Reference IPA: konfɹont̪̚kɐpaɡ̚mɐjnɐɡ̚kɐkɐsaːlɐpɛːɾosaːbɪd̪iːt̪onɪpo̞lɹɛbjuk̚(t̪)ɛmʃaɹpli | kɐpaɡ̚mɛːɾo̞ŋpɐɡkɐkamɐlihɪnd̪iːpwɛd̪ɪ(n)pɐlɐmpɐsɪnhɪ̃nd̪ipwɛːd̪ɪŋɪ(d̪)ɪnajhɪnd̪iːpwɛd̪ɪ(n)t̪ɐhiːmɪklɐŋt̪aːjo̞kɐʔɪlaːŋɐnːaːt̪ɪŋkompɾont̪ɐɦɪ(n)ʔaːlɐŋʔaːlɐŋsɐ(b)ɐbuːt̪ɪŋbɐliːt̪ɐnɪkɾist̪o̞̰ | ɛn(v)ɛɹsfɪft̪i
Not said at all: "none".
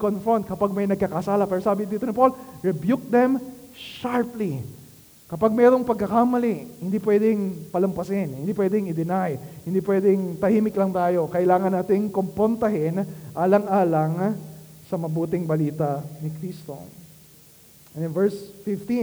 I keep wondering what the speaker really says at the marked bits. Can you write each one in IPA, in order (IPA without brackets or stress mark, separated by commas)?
d̪, ŋ, d̪, ŋ, n, m, v